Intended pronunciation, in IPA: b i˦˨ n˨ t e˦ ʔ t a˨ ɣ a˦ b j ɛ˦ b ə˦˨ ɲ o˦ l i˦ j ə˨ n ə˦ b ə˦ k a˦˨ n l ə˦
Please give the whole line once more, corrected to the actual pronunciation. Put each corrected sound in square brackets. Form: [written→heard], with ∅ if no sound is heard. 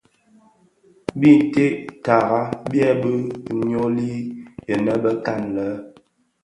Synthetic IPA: b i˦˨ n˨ t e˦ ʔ t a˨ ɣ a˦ b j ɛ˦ b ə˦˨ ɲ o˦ l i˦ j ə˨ n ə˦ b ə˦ k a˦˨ n l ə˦